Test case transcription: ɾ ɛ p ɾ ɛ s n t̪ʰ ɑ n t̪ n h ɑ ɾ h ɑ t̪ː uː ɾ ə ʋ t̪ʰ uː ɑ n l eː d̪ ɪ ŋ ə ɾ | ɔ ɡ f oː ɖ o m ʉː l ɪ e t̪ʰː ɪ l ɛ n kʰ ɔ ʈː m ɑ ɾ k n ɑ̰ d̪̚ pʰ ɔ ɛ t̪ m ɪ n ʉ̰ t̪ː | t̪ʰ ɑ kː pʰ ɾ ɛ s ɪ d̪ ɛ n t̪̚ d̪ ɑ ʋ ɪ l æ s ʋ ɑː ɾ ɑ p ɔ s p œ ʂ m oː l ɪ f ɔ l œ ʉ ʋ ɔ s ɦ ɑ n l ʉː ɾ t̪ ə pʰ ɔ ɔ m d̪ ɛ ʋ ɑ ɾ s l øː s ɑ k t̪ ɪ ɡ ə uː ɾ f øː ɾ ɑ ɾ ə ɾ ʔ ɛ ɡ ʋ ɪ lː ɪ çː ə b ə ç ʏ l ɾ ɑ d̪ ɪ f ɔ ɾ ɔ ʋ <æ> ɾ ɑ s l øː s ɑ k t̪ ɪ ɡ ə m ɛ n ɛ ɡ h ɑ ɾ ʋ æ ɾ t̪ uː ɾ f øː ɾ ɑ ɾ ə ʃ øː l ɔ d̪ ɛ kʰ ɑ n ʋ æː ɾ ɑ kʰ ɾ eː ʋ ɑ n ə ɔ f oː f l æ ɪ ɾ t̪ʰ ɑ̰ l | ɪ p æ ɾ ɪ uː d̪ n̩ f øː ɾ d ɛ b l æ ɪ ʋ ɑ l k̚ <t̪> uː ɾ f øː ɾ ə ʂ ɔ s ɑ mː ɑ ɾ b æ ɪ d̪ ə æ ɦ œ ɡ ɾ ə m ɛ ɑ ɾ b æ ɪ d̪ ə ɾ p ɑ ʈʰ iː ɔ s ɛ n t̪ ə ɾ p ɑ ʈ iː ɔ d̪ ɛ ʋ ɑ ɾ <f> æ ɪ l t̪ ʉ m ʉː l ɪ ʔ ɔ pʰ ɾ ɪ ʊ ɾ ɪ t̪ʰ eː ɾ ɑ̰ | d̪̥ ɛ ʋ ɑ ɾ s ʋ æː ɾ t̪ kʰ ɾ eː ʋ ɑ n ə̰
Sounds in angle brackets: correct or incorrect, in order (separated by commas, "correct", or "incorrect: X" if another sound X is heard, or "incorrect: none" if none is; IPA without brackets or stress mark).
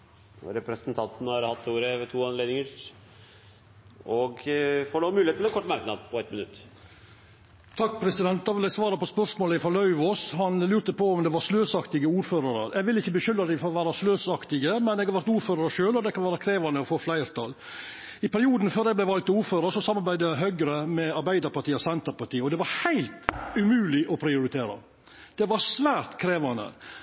incorrect: æː, correct, incorrect: h